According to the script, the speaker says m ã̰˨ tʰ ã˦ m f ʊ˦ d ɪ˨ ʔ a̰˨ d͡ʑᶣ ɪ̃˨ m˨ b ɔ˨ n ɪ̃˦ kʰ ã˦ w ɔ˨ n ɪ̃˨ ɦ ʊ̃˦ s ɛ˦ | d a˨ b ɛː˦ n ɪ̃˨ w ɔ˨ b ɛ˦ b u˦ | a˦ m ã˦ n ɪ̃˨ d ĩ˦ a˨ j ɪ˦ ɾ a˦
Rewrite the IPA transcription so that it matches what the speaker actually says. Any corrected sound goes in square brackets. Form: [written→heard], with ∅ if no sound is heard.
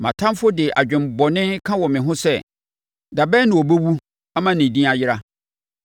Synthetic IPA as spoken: m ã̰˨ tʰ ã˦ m f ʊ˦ d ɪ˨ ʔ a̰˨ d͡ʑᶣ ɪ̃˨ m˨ b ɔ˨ n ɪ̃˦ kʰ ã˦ w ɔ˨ [n→m] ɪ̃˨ ɦ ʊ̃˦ s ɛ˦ | d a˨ b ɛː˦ n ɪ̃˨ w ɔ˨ b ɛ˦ [b→w] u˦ | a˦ m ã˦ n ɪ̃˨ d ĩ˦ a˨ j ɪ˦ ɾ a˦

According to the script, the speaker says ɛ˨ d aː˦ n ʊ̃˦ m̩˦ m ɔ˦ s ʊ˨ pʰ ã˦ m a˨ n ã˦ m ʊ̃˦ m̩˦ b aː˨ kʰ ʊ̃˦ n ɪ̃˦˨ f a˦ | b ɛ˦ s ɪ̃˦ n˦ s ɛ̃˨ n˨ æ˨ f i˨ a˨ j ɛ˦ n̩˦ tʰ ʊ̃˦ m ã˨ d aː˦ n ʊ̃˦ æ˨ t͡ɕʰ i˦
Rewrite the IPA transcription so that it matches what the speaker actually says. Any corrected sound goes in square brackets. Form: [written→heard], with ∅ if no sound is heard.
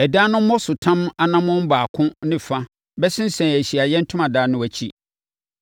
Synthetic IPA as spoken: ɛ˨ d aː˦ n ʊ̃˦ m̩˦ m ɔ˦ s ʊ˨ [pʰ→tʰ] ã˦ m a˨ n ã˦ m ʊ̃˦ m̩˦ b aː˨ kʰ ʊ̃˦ n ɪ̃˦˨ f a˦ | b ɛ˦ s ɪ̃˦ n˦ s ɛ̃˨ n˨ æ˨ [f→ɕ] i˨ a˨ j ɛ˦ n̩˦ tʰ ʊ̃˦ m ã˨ d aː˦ n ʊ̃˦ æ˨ t͡ɕʰ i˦

